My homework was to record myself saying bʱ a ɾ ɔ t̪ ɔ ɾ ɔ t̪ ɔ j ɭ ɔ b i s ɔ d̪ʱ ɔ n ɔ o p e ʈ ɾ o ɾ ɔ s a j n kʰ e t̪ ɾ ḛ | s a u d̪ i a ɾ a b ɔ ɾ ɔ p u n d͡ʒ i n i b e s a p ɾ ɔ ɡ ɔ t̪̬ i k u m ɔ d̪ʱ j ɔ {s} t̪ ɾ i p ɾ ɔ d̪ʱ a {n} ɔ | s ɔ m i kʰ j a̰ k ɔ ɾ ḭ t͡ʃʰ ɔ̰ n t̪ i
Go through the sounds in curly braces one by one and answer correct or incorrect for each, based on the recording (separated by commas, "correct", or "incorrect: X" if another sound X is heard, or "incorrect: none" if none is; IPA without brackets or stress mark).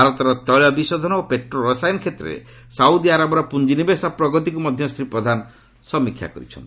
correct, correct